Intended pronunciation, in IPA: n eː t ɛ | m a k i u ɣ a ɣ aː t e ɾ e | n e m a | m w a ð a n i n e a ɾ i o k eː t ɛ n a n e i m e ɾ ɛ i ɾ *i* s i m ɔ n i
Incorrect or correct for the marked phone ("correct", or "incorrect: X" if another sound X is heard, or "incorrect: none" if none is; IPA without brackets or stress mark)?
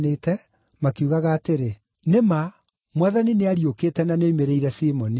incorrect: ɛ